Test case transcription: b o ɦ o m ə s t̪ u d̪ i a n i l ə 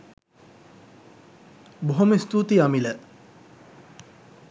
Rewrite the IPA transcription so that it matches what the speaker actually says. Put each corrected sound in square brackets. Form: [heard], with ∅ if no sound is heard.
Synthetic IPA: b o ɦ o m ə s t̪ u [t̪] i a [m] i l ə